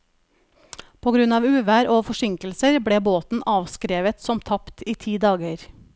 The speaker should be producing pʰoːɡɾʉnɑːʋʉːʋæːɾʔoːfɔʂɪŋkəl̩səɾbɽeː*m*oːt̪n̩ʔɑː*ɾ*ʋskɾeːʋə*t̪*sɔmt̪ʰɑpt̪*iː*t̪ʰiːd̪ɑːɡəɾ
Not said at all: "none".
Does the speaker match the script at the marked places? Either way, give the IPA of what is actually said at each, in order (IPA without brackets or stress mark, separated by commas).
b, none, t̪, iː